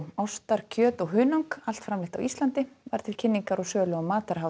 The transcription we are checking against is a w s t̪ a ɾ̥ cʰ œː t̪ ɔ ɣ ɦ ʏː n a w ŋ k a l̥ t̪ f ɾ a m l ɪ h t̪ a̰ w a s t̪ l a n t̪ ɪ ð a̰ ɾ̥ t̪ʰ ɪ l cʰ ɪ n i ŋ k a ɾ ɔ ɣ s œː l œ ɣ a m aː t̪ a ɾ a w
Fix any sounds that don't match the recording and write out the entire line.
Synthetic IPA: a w s t̪ a ɾ̥ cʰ œː t̪ ɔ ɣ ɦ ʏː n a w ŋ k a l̥ t̪ f ɾ a m l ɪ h t̪ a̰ w i s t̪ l a n t̪ ɪ v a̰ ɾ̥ t̪ʰ ɪ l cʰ ɪ nː i ŋ k a ɾ ɔ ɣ s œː l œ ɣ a m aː t̪ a ɾ a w